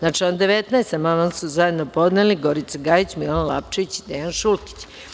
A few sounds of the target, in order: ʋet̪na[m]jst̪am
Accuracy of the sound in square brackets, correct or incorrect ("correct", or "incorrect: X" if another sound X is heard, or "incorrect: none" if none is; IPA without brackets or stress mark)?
incorrect: none